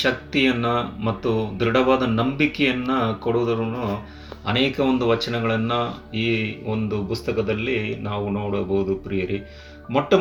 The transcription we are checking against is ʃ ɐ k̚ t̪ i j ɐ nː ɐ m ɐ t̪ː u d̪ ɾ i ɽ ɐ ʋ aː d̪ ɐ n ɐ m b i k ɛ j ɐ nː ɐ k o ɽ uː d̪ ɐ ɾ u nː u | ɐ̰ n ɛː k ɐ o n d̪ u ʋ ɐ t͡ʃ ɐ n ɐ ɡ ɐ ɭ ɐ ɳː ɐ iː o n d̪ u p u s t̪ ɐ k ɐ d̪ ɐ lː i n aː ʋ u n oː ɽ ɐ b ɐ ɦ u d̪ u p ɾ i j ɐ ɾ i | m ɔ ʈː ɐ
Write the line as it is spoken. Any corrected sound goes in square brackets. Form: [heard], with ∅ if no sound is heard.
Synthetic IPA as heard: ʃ ɐ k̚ t̪ i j ɐ nː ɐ m ɐ t̪ː u d̪ ɾ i ɽ ɐ ʋ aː d̪ ɐ n ɐ m b i k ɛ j ɐ nː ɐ k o ɽ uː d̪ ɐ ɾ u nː u | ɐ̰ n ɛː k ɐ o n d̪ u ʋ ɐ t͡ʃ ɐ n ɐ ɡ ɐ ɭ ɐ [nː] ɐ iː o n d̪ u p u s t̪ ɐ k ɐ d̪ ɐ lː i n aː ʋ u n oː ɽ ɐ b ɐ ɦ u d̪ u p ɾ i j ɐ ɾ i | m ɔ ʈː ɐ